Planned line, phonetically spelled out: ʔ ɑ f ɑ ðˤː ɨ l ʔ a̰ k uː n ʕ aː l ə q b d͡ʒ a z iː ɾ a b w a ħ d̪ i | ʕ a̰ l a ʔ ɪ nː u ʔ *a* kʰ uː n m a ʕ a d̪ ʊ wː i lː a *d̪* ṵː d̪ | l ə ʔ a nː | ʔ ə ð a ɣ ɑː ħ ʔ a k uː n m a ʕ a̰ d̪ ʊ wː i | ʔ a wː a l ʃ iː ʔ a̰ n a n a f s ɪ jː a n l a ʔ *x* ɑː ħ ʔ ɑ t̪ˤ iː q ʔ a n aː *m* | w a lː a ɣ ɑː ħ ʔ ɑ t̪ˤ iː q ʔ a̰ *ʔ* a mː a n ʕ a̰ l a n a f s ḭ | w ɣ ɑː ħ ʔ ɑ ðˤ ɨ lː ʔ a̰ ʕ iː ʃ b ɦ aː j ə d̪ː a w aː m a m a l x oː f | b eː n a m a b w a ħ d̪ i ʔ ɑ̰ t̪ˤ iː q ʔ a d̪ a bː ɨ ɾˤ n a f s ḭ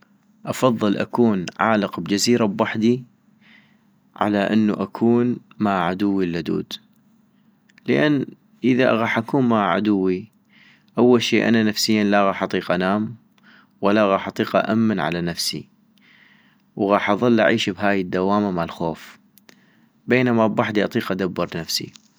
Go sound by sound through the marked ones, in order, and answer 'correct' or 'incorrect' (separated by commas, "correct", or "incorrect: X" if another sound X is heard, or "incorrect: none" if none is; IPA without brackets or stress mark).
correct, correct, incorrect: ɣ, correct, correct